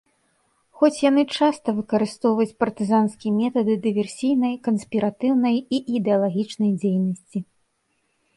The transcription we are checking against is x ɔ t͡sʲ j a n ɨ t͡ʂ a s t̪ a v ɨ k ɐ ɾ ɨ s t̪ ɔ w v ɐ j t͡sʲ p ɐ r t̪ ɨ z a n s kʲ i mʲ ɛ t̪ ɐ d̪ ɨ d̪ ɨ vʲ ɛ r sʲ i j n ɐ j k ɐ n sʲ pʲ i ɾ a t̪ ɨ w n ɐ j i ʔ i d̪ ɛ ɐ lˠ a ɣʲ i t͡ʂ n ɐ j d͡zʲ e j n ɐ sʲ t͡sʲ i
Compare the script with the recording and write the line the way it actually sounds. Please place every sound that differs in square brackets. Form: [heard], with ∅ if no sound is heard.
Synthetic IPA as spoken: x ɔ t͡sʲ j a n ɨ t͡ʂ a s t̪ [ɐ] v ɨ k ɐ ɾ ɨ s t̪ ɔ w v ɐ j t͡sʲ p ɐ r t̪ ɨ z a n s kʲ i mʲ ɛ t̪ ɐ d̪ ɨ d̪ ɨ vʲ ɛ r sʲ i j n ɐ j k ɐ n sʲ pʲ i ɾ a t̪ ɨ w n ɐ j i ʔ i d̪ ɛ ɐ lˠ a ɣʲ i t͡ʂ n ɐ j d͡zʲ e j n ɐ sʲ t͡sʲ i